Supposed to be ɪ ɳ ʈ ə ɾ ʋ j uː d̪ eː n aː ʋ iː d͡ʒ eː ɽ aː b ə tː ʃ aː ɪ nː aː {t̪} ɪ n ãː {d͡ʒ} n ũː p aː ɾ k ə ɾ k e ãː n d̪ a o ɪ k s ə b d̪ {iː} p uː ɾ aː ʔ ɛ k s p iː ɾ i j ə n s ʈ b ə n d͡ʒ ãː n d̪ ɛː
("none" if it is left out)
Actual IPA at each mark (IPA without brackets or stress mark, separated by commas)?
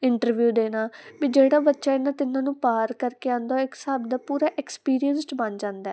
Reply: t̪, none, aː